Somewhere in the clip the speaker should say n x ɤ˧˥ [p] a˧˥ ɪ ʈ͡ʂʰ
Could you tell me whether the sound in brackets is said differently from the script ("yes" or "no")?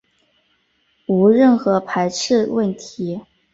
yes